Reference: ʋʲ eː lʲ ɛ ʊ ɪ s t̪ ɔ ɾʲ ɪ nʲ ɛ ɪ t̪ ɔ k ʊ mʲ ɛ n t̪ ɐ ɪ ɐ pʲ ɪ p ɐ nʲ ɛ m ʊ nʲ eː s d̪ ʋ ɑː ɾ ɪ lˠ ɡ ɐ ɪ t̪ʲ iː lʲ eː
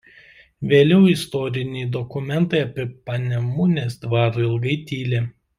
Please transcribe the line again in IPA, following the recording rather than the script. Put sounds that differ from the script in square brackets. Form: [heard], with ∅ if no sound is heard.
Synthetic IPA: ʋʲ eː lʲ ɛ ʊ ɪ s t̪ ɔ ɾʲ ɪ nʲ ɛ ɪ [d̪] ɔ k ʊ mʲ ɛ n t̪ ɐ ɪ ɐ pʲ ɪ p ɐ nʲ ɛ m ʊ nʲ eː s d̪ ʋ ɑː ɾ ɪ lˠ ɡ ɐ ɪ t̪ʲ iː lʲ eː

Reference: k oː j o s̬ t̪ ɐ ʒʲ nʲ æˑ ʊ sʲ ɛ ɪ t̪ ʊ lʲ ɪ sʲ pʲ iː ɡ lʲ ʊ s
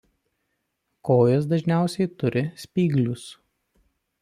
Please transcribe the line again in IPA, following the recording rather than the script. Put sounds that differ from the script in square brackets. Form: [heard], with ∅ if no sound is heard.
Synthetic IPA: k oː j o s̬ [d̪] ɐ ʒʲ nʲ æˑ ʊ sʲ ɛ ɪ t̪ ʊ [ɾʲ] ɪ sʲ pʲ iː ɡ lʲ ʊ s

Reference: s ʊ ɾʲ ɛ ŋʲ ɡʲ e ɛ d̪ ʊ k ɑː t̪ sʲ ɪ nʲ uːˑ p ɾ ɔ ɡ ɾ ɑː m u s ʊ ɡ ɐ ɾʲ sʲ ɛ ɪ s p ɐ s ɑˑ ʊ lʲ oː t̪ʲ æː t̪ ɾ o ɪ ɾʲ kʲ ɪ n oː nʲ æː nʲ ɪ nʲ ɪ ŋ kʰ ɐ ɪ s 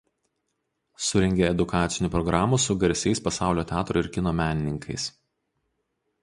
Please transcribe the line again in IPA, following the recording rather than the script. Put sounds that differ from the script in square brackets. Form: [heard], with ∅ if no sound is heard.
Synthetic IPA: s ʊ ɾʲ ɛ ŋʲ ɡʲ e ɛ d̪ ʊ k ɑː t̪ sʲ ɪ nʲ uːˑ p ɾ ɔ ɡ ɾ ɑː m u s ʊ ɡ ɐ ɾʲ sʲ ɛ ɪ s p ɐ s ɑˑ ʊ lʲ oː t̪ʲ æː t̪ ɾ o ɪ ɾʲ kʲ ɪ n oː [mʲ] æː nʲ ɪ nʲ ɪ ŋ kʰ ɐ ɪ s

